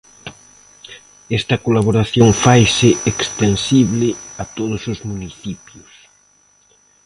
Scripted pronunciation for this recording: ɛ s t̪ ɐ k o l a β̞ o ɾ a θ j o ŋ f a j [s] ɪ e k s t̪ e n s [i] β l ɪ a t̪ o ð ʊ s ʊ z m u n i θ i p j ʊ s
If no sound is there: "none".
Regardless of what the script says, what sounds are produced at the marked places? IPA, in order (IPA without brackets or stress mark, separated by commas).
s, i